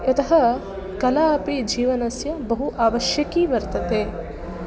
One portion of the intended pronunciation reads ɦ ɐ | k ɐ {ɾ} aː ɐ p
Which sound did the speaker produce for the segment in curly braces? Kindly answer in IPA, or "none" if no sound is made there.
l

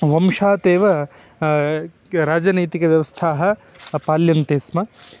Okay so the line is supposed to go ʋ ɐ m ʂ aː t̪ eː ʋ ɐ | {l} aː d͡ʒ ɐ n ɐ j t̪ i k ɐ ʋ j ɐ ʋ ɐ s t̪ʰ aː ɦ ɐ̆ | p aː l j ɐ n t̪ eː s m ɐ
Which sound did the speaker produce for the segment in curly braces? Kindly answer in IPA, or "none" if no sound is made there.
ɾ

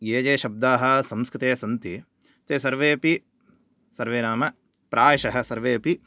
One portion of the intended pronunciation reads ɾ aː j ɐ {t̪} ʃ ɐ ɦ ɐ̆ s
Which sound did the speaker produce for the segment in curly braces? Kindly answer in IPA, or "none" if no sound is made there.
none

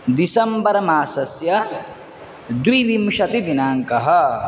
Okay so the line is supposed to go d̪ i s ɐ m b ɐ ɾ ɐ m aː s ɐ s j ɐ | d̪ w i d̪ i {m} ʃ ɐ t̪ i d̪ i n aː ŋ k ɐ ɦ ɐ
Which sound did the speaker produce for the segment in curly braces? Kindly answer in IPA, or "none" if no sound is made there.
m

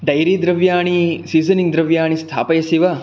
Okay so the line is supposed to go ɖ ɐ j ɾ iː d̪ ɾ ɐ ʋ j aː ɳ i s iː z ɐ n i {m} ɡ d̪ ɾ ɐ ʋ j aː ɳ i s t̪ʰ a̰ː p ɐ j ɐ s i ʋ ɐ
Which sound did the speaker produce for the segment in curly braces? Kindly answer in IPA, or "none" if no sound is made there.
ŋ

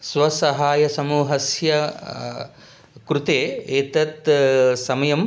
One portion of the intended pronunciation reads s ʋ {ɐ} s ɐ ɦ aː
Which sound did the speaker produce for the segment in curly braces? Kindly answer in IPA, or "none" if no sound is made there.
ɐ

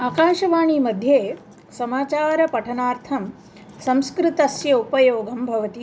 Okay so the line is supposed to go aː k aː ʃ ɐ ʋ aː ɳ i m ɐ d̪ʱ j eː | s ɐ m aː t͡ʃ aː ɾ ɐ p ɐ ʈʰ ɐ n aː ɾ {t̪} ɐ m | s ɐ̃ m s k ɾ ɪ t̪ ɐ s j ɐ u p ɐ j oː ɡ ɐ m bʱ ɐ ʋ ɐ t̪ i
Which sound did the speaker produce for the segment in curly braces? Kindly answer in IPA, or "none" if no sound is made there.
t̪ʰ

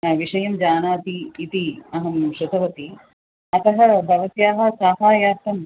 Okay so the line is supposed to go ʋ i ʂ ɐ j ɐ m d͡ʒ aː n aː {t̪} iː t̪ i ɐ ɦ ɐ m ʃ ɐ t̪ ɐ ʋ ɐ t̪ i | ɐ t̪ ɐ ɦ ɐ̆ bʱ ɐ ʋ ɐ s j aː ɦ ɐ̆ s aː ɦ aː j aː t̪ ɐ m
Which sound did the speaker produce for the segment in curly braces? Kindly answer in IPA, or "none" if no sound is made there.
t̪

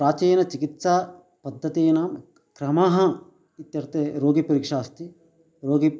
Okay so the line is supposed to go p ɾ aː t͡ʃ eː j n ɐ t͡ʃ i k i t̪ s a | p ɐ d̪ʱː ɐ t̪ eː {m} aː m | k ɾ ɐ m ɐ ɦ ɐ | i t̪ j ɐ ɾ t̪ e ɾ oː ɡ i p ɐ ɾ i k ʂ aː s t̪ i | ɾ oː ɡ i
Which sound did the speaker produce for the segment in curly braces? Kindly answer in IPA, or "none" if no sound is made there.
n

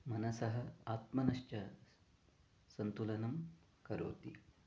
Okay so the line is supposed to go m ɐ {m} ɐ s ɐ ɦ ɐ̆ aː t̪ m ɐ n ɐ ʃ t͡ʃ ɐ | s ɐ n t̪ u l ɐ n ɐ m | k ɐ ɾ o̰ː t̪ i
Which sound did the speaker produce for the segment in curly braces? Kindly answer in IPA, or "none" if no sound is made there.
n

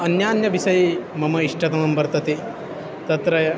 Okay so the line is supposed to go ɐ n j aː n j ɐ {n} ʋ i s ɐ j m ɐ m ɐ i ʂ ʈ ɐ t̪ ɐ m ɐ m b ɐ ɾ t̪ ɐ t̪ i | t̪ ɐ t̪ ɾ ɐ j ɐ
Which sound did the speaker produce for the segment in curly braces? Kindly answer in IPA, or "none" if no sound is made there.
none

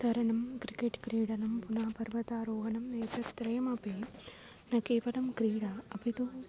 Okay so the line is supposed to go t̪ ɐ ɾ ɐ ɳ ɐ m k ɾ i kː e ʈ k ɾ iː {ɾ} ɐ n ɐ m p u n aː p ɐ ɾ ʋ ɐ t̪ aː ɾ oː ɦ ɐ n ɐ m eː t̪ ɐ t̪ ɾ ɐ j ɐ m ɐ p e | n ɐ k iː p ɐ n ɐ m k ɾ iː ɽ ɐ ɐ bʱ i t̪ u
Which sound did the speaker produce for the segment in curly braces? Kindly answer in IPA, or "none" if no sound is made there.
ɽ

